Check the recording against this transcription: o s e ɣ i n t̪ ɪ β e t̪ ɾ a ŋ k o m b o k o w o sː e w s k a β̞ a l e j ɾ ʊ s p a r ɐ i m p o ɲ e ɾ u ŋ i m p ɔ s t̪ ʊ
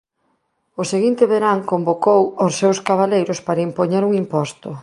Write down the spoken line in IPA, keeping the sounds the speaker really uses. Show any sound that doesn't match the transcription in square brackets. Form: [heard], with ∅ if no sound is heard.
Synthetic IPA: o s e ɣ i n t̪ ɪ β e [∅] ɾ a ŋ k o m b o k o w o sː e w s k a β̞ a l e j ɾ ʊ s p a [ɾ] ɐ i m p o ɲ e ɾ u ŋ i m p ɔ s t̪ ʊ